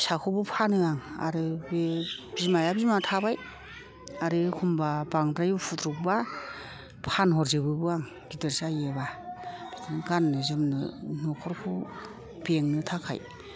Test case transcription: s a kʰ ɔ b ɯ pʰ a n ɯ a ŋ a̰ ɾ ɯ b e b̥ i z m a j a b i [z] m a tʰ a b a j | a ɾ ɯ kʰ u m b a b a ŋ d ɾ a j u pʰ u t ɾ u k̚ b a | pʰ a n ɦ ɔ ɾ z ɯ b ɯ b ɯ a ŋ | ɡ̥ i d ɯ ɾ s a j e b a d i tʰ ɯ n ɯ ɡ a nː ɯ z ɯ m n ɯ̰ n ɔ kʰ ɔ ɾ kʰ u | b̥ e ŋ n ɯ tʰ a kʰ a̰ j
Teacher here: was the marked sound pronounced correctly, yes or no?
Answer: yes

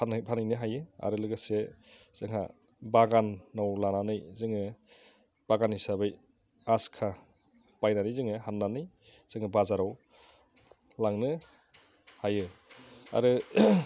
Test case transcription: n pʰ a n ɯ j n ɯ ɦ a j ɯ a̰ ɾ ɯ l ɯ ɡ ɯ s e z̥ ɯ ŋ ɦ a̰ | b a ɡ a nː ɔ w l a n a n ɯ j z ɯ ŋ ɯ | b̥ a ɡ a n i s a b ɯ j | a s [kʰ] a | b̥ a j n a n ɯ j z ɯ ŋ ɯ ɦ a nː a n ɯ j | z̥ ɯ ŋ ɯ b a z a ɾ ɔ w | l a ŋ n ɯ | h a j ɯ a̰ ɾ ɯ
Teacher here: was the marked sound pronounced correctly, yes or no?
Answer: yes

